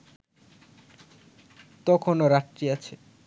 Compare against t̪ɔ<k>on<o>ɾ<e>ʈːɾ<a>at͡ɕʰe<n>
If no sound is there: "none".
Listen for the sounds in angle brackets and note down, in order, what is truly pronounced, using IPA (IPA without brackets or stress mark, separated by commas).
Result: kʰ, o, a, i, none